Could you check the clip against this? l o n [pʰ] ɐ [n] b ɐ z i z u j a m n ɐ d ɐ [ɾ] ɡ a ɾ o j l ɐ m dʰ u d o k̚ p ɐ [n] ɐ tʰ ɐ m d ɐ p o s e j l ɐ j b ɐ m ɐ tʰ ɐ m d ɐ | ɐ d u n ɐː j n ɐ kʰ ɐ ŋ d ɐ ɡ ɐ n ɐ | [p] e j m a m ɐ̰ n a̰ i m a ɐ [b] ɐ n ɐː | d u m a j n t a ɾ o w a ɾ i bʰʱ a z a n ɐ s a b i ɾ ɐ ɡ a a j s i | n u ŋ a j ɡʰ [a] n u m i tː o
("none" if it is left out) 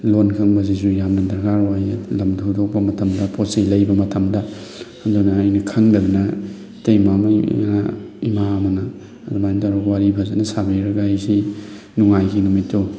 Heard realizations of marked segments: kʰ, ŋ, ɾ, m, t, m, i

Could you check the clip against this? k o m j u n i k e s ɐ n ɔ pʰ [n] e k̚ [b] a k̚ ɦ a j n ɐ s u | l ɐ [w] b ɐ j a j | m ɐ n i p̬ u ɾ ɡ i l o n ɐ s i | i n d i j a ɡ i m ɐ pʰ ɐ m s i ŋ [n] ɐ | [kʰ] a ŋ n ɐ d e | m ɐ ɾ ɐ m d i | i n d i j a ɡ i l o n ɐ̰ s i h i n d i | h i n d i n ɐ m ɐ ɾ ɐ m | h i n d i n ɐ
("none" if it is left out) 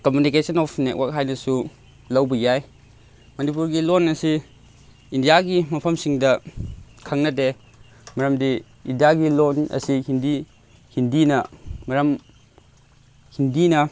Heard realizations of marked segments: n, w, w, d, kʰ

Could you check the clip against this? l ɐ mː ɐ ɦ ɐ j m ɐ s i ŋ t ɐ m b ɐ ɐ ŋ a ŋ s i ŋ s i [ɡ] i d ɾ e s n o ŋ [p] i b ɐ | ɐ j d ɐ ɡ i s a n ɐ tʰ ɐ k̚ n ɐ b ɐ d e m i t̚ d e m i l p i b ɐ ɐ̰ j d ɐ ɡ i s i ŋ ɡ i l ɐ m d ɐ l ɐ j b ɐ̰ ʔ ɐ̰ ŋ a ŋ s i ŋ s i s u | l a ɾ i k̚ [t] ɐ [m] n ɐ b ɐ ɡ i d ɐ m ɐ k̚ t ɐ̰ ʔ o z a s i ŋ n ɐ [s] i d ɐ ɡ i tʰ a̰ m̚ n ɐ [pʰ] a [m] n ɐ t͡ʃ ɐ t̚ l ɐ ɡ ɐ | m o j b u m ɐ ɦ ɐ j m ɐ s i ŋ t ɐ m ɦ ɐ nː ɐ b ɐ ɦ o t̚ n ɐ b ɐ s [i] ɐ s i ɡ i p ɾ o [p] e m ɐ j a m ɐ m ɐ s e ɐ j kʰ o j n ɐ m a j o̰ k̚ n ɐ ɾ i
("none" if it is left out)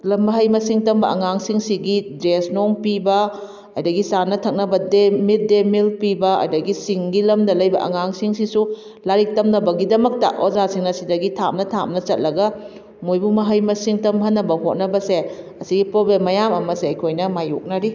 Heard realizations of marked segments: ɡ, p, t, m, s, tʰ, m, e, b

